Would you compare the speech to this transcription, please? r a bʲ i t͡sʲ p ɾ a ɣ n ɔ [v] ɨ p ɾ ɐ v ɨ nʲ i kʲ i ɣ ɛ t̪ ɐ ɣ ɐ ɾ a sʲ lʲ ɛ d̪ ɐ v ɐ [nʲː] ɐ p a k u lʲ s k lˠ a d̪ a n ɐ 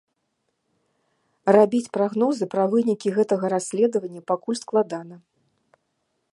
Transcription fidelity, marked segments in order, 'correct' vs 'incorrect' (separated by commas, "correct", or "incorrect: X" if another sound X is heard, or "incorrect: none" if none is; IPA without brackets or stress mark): incorrect: z, correct